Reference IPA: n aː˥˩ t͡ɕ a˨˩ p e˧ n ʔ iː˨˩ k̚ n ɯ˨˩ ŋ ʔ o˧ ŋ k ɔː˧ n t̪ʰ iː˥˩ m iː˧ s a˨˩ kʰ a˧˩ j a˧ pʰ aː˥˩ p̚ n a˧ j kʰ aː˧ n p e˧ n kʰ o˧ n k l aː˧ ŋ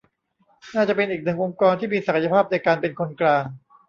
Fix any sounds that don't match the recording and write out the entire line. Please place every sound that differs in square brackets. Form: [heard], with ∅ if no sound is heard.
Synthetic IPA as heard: n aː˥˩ t͡ɕ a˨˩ p e˧ n ʔ iː˨˩ k̚ n ɯ˨˩ ŋ ʔ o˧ ŋ k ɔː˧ n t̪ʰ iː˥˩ m iː˧ s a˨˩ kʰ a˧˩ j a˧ pʰ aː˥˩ p̚ n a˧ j [k] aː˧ n p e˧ n kʰ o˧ n k l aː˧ ŋ